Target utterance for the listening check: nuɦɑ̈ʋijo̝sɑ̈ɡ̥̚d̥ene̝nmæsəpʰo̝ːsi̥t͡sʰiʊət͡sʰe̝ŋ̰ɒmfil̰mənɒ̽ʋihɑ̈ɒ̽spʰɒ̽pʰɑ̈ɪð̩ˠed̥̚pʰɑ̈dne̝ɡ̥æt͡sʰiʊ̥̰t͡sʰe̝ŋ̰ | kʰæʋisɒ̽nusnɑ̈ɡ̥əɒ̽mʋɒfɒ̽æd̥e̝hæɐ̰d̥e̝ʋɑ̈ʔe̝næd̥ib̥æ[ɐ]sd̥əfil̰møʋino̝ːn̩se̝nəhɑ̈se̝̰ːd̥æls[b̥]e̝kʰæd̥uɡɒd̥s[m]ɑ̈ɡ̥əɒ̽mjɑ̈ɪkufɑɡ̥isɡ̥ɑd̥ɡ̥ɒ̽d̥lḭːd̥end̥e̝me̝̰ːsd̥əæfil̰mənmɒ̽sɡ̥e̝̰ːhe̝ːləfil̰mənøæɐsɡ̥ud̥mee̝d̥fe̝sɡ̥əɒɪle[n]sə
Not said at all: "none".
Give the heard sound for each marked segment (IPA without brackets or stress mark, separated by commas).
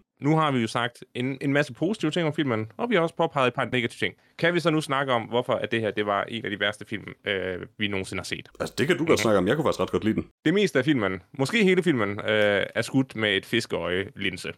ɐ, d̥, n, n